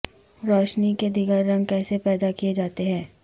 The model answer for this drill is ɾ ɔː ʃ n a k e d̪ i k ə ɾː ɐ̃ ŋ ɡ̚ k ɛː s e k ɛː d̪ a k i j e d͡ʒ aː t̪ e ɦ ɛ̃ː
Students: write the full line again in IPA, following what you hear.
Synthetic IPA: ɾ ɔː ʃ n i k e d̪ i ɡ ə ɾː ɐ̃ ŋ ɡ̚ k ɛː s e p ɛː d̪ a k i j e d͡ʒ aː t̪ e ɦ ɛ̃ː